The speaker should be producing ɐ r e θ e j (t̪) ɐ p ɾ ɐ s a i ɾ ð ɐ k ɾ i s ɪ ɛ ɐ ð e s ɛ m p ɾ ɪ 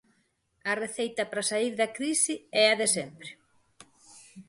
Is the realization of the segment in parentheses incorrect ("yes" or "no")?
no